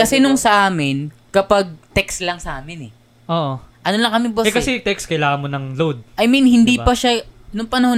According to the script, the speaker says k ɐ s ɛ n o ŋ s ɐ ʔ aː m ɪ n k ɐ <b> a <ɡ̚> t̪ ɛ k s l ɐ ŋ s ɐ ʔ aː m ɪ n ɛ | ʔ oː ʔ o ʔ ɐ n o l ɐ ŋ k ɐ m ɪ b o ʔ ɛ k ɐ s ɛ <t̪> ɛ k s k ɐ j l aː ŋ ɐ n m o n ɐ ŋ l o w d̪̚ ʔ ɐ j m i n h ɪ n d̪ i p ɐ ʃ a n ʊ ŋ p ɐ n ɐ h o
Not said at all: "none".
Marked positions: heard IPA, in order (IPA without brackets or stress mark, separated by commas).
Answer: p, ɡ̚, t̪